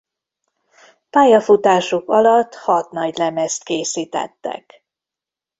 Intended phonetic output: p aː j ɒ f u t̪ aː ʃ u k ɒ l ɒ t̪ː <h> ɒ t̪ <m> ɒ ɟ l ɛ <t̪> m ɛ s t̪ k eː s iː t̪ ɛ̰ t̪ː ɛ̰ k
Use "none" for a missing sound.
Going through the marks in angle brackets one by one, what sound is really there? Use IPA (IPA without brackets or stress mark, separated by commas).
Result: h, n, none